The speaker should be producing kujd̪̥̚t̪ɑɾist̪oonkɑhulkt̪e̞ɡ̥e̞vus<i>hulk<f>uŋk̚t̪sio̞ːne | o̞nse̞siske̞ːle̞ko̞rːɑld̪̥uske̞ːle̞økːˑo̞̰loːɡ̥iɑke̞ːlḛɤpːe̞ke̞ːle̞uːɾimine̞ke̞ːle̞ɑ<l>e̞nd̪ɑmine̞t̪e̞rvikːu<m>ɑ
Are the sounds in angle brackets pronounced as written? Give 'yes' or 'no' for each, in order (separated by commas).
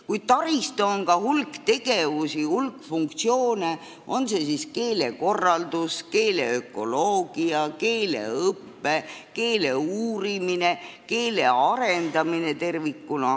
yes, yes, no, no